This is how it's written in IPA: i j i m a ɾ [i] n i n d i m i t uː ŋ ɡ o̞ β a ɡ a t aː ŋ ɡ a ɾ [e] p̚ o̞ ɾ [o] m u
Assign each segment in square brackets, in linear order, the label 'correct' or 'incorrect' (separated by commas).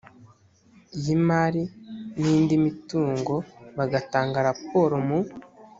correct, incorrect, correct